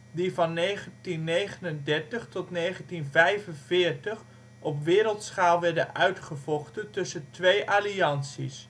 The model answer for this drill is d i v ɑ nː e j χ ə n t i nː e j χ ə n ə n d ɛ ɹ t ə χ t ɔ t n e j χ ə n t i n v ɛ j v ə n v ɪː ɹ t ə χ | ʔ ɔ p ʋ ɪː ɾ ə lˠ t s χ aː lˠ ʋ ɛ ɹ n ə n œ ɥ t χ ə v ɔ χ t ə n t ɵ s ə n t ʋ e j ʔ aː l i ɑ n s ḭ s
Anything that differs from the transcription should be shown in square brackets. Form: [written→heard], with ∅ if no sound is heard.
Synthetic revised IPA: d i v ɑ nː e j χ ə n t i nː e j χ ə n ə n d ɛ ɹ t ə χ t ɔ t n e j χ ə n t i n v ɛ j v ə n v ɪː ɹ t ə χ | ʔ ɔ p ʋ ɪː ɾ ə lˠ t s χ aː lˠ ʋ ɛ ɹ [n→d] ə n œ ɥ t χ ə v ɔ χ t ə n t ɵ s ə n t ʋ e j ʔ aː l i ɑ n s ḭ s